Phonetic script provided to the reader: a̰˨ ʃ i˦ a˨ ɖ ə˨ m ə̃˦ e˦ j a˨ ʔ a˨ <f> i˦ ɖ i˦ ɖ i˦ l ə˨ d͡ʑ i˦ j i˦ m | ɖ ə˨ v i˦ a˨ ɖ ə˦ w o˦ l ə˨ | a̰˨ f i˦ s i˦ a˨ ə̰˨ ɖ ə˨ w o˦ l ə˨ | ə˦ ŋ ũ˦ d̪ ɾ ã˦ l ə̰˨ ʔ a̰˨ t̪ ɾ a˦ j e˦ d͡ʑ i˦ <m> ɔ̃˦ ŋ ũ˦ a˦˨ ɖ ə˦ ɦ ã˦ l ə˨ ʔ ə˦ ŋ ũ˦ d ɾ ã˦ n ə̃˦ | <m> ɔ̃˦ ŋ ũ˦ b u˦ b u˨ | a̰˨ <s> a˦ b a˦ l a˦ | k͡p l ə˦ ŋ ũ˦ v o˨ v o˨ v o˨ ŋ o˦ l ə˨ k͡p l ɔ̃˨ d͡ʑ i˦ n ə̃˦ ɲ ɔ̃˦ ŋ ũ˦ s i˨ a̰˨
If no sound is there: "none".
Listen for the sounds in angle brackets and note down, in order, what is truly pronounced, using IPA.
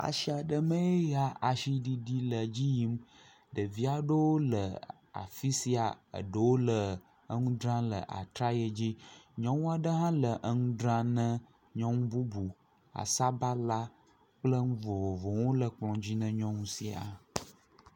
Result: ʃ, ɲ, ɲ, s

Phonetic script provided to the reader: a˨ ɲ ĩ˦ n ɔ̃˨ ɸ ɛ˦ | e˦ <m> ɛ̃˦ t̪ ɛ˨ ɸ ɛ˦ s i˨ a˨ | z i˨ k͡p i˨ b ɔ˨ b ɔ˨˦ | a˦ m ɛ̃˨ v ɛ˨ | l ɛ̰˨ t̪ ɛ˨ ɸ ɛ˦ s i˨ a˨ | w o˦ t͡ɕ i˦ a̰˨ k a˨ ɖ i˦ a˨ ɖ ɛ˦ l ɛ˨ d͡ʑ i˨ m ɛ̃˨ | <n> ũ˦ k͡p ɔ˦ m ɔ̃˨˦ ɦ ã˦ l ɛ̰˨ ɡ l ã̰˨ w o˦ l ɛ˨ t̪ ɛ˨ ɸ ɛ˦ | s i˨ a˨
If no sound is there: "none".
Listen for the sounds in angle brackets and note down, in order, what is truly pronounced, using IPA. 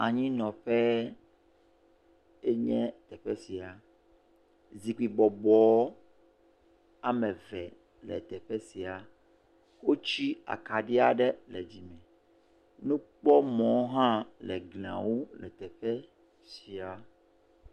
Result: ɲ, n

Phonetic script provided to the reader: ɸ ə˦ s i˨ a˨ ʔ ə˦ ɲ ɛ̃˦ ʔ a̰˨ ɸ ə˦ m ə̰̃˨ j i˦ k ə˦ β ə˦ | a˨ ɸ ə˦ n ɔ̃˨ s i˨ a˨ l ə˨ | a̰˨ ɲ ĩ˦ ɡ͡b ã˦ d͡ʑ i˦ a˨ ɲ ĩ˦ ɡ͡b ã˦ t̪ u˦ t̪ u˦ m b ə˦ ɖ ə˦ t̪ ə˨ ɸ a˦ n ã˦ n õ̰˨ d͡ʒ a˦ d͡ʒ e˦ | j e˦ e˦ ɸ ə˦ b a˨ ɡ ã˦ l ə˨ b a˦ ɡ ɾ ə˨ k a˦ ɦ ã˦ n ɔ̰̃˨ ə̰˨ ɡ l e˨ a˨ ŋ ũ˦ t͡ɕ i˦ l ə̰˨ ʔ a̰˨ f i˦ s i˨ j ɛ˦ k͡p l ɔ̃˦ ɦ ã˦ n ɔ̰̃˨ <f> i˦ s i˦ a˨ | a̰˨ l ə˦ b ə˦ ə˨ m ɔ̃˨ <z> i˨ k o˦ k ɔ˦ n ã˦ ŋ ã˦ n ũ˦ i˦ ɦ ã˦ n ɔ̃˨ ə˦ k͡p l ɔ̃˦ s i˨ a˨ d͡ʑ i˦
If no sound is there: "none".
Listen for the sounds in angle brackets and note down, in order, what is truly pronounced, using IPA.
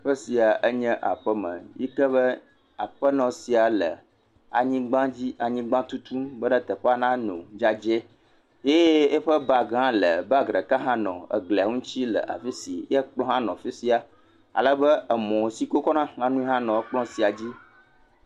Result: f, s

